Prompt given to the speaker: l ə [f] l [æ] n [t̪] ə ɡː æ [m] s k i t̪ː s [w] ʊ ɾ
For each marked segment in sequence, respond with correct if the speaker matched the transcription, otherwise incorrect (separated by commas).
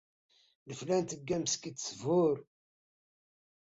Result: correct, correct, correct, correct, incorrect